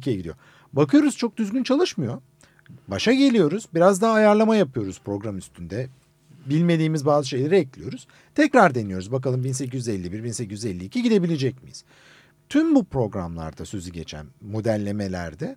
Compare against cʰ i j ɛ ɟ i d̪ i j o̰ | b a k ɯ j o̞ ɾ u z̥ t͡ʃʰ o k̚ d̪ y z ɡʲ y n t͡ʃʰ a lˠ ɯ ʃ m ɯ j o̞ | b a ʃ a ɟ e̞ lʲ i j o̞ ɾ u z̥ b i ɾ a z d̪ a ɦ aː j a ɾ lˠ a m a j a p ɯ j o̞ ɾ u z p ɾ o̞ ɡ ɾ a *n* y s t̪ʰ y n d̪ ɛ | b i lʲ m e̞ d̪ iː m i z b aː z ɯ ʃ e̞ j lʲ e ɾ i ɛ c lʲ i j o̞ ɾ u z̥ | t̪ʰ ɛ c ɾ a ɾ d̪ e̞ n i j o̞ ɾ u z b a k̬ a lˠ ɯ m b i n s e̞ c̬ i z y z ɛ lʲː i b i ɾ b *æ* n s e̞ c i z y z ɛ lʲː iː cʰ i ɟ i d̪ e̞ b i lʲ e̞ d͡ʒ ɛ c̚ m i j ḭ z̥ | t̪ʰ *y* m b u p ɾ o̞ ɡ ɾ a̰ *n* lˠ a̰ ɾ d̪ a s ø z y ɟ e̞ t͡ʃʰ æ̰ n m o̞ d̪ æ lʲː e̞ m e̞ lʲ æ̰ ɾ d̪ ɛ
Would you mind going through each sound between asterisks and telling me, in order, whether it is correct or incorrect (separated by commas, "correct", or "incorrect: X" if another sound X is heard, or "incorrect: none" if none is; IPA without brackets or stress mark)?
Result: incorrect: m, incorrect: i, correct, incorrect: m